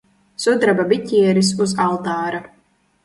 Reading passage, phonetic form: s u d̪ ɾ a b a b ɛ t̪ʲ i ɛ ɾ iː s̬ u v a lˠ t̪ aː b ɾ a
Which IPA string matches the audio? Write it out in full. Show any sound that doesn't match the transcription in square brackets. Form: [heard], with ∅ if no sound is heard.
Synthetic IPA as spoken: s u d̪ ɾ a b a b [i] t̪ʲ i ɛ ɾ [i] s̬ u [z] a lˠ t̪ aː [∅] ɾ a